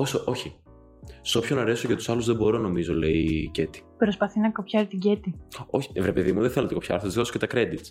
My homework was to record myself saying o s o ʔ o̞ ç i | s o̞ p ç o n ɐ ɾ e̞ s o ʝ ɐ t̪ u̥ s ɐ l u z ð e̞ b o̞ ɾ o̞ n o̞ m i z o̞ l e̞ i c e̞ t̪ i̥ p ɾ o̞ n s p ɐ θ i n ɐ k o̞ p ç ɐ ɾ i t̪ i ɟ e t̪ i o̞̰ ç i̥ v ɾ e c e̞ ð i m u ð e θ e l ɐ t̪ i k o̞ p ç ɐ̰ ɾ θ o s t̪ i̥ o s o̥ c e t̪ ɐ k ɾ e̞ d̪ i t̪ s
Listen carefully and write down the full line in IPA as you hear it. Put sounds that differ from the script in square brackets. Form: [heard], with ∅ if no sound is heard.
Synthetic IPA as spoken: o s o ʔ o̞ ç i | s o̞ p ç o n ɐ ɾ e̞ s o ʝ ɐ t̪ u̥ s ɐ l u z ð e̞ b o̞ ɾ o̞ n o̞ m i z o̞ l e̞ i c e̞ t̪ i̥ p ɾ o̞ [∅] s p ɐ θ i n ɐ k o̞ p ç ɐ ɾ i t̪ i ɟ e t̪ i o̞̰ ç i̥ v ɾ e [p] e̞ ð i m u ð e θ e l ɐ t̪ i k o̞ p ç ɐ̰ ɾ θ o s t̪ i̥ o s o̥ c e t̪ ɐ k ɾ e̞ d̪ i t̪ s